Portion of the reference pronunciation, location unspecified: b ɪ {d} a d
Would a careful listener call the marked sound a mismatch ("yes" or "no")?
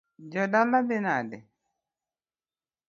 yes